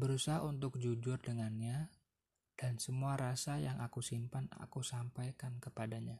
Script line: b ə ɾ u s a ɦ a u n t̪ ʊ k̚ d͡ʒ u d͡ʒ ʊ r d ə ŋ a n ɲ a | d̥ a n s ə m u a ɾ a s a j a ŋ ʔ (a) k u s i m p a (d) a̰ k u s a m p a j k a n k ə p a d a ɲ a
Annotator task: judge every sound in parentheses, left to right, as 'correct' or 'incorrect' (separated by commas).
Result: correct, incorrect